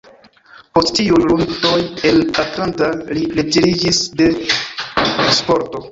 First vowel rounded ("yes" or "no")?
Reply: yes